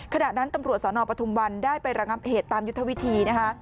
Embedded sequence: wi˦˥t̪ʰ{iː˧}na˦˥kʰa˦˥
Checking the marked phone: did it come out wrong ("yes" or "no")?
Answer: no